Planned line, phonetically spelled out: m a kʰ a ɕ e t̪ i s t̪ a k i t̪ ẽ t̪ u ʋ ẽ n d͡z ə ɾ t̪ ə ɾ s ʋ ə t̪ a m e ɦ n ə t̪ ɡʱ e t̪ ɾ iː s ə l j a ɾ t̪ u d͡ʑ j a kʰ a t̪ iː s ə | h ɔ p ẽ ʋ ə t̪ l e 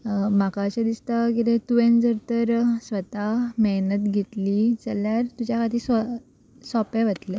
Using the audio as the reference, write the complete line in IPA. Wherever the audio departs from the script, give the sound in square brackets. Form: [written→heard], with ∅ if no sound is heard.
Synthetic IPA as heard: m a [kʰ→k] a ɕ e [t̪→d̪] i s t̪ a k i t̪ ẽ t̪ u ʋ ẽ n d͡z ə ɾ t̪ ə ɾ s ʋ ə t̪ a m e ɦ n ə t̪ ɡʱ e t̪ [ɾ→l] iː [s→t͡s] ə l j a ɾ t̪ u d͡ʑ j a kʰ a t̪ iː s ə | [h→s] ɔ p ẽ ʋ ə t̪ l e